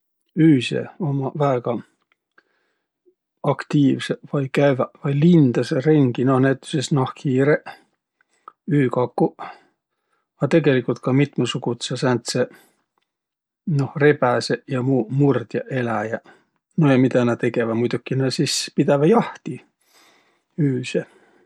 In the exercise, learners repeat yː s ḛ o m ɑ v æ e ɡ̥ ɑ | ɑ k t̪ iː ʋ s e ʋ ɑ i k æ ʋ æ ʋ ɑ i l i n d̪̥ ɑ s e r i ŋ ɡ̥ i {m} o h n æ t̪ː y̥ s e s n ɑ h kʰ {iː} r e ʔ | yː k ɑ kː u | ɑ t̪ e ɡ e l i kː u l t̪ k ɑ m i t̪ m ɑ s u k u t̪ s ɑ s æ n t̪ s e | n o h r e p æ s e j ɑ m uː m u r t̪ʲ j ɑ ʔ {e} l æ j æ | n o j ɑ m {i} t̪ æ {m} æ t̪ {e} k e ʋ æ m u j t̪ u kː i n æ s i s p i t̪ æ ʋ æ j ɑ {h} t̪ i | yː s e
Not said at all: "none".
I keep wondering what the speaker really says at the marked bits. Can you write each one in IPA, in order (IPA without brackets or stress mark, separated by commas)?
n, iː, e, i, n, e, h